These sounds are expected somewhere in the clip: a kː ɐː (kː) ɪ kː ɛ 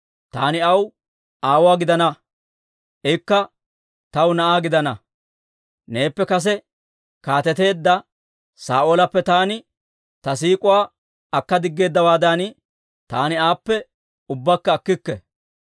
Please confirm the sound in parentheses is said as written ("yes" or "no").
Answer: yes